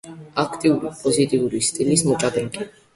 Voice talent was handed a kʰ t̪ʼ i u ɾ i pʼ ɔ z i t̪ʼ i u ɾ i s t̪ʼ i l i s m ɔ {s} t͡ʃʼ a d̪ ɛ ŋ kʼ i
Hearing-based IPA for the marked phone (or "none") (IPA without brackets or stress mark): none